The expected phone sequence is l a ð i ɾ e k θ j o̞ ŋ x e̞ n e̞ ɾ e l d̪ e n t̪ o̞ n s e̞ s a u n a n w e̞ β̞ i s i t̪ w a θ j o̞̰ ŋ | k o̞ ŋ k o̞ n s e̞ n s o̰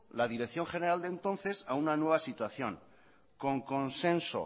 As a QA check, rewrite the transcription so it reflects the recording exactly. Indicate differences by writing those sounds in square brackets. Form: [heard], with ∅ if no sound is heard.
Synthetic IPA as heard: l a ð i ɾ e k θ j o̞ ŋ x e̞ n e̞ ɾ [a] l d̪ e n t̪ o̞ n [θ] e̞ s a u n a n w e̞ β̞ [a] s i t̪ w a θ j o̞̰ ŋ | k o̞ ŋ k o̞ n s e̞ n s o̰